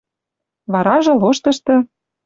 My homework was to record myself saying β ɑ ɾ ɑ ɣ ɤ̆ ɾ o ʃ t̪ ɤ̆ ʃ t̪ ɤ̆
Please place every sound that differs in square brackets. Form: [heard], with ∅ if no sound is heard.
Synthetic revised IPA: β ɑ ɾ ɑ [ʒ] ɤ̆ [l] o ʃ t̪ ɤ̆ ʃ t̪ ɤ̆